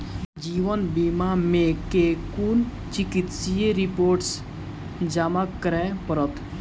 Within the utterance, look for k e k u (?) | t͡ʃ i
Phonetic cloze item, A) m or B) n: B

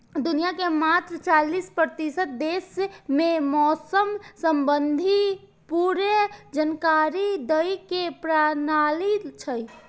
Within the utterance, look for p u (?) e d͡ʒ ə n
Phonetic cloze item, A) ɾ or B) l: A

